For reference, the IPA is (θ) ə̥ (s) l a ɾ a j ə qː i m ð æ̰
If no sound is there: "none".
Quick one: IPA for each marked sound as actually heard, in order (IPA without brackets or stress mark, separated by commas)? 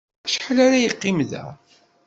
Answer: ʃ, ħ